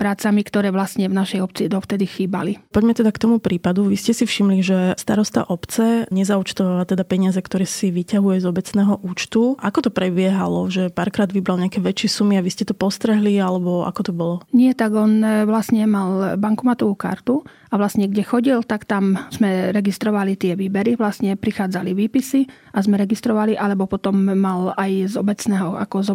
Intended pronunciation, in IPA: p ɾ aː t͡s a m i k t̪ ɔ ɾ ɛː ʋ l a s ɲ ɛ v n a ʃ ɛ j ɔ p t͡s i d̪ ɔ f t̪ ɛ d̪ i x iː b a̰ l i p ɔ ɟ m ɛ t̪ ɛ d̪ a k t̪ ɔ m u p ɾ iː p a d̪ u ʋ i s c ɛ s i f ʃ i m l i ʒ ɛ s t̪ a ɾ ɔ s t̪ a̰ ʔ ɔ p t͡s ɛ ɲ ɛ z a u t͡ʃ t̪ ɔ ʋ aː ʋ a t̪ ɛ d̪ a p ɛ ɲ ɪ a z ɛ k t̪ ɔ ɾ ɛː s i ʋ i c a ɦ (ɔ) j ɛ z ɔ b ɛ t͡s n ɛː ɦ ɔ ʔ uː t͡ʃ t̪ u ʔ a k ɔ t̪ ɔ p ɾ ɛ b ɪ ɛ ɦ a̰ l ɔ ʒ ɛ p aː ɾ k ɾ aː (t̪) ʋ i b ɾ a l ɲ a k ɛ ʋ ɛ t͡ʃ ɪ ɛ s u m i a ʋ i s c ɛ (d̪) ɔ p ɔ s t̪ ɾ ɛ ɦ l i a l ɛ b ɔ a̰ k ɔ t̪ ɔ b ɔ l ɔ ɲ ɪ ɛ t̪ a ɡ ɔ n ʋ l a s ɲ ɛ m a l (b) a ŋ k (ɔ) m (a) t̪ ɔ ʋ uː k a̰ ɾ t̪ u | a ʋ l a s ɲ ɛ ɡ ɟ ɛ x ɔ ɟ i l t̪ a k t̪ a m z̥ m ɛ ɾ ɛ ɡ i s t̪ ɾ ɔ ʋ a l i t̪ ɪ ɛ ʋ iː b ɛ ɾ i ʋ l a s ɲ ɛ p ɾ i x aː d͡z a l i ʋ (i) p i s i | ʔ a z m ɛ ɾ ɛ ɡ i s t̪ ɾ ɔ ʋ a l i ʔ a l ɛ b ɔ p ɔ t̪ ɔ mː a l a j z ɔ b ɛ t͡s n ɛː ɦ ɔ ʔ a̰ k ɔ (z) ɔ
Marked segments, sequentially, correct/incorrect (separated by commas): incorrect, incorrect, incorrect, correct, incorrect, correct, incorrect, correct